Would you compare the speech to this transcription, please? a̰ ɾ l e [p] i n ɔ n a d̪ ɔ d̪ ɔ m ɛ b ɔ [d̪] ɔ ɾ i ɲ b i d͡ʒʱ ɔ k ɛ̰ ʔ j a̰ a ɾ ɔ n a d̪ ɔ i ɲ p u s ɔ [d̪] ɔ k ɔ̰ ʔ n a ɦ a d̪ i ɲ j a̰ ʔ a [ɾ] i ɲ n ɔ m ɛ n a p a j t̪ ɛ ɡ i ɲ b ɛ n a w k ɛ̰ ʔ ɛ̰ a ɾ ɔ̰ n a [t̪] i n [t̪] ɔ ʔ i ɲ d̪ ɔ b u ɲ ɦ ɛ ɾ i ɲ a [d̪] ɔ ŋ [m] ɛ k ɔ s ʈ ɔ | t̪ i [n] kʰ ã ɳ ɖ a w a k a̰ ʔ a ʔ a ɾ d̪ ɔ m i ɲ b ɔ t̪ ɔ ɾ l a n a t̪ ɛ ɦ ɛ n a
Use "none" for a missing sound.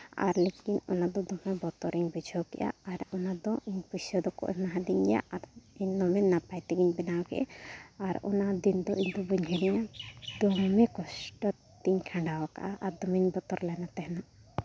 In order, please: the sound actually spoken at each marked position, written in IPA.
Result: k, t̪, d̪, ɾ, d̪, d̪, d̪, m, ɲ

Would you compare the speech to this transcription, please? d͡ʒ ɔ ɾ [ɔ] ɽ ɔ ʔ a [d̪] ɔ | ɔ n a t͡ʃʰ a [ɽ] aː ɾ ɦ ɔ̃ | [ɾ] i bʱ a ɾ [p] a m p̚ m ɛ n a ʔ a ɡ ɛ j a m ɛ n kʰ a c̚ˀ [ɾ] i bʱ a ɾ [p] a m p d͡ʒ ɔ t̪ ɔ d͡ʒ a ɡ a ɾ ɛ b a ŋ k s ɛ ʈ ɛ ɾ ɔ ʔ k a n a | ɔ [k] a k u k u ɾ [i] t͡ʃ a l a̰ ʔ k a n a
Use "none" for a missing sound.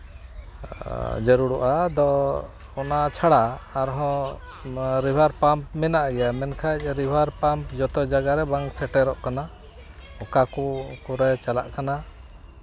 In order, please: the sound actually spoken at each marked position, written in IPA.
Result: u, d̪, ɽ, ɾ, p, ɾ, p, k, ɛ

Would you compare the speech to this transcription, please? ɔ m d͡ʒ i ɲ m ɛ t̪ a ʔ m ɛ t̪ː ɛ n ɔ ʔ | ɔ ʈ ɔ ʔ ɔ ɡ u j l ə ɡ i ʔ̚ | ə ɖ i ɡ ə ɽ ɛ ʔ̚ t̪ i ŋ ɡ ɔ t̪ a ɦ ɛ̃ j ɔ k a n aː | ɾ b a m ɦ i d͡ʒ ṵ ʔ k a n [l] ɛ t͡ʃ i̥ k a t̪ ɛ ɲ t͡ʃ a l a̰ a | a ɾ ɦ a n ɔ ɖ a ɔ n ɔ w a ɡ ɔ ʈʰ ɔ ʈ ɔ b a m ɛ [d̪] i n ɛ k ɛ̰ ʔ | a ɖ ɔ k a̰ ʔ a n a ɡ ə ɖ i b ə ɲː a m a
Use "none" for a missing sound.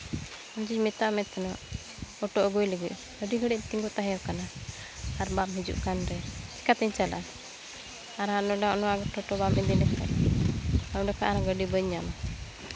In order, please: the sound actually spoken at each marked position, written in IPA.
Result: ɾ, d̪

